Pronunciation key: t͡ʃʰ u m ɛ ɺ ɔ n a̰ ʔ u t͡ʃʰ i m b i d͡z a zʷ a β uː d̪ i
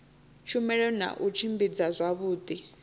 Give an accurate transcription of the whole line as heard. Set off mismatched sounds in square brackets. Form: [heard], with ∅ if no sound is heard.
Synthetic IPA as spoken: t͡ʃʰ u m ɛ ɺ ɔ n a̰ ʔ u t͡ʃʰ i m b i d͡z a zʷ a β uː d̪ i